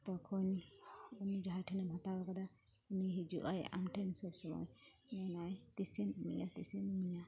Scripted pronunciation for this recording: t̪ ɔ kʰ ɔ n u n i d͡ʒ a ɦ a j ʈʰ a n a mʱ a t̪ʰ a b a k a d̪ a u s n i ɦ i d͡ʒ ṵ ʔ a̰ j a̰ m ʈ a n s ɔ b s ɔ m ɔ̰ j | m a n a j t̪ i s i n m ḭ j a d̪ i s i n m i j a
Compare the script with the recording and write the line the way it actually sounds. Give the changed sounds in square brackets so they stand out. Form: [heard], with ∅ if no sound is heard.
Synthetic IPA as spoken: t̪ ɔ kʰ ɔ n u n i d͡ʒ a ɦ a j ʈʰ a n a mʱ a [t̪] a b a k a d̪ a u [∅] n i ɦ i d͡ʒ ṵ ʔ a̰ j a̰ m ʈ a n s ɔ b s ɔ m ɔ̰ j | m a n a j t̪ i s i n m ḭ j a [t̪] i s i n m i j a